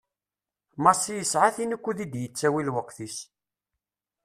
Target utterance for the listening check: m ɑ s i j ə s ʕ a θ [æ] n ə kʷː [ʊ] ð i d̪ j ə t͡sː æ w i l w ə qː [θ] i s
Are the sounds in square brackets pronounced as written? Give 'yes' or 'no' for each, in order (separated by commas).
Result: no, no, yes